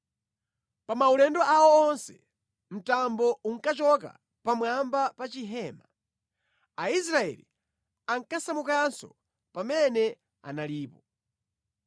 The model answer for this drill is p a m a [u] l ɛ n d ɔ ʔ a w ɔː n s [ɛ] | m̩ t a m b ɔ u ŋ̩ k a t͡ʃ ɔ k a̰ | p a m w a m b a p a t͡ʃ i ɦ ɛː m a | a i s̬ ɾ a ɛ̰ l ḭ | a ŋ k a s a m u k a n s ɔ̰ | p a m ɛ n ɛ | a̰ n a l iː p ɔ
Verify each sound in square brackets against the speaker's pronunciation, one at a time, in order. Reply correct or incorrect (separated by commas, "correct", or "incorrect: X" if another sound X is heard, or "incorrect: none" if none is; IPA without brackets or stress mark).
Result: correct, correct